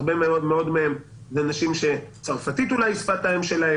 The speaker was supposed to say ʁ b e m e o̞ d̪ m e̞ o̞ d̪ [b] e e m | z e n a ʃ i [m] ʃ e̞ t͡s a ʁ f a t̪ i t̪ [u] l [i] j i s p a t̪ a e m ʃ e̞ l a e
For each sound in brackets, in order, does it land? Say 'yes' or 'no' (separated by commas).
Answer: no, yes, yes, no